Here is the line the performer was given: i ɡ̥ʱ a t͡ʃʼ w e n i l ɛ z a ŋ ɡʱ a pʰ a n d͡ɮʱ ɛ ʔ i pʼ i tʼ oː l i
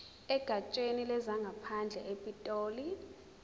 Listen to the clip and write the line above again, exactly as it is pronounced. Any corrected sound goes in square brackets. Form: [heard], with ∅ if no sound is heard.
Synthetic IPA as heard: [ɛ] ɡ̥ʱ a t͡ʃʼ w e n i l ɛ z a ŋ ɡʱ a pʰ a n d͡ɮʱ ɛ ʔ [e] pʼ i tʼ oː l i